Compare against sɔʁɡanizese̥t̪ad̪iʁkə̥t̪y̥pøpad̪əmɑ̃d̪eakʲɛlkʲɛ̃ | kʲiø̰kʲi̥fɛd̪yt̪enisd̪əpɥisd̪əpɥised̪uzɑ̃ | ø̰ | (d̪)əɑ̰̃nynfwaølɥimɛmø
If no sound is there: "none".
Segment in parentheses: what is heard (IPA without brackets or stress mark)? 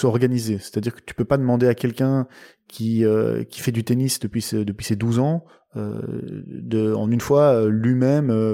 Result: d̪